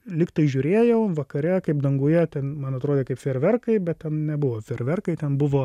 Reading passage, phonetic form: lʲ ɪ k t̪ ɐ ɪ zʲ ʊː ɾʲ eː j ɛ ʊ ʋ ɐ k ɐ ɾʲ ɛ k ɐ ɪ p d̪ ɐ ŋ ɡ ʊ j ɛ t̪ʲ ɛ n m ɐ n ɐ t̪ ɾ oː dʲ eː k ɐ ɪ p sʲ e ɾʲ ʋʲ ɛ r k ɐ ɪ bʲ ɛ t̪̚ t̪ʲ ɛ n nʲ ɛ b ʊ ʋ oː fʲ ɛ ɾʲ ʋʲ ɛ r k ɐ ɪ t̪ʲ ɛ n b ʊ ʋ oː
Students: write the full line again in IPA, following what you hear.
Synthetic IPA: lʲ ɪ k t̪ ɐ ɪ ʒʲ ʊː ɾʲ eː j ɛ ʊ ʋ ɐ k ɐ ɾʲ ɛ k ɐ ɪ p d̪ ɐ ŋ ɡ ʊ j ɛ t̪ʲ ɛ n m ɐ n ɐ t̪ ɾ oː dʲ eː k ɐ ɪ p fʲ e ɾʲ ʋʲ ɛ r k ɐ ɪ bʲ ɛ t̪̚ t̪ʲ ɛ n nʲ ɛ b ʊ ʋ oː fʲ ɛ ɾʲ ʋʲ ɛ r k ɐ ɪ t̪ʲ ɛ n b ʊ ʋ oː